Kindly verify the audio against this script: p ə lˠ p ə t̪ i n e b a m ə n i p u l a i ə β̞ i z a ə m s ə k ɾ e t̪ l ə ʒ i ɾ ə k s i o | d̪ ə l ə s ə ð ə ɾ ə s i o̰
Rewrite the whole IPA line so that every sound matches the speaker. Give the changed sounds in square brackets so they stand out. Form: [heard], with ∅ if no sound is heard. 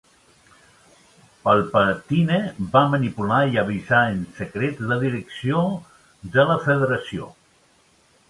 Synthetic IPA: p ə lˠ p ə t̪ i n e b a m ə n i p u l a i ə β̞ i z a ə [n] s ə k ɾ e t̪ l ə [ð] i ɾ ə k s i o | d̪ ə l ə [f] ə ð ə ɾ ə s i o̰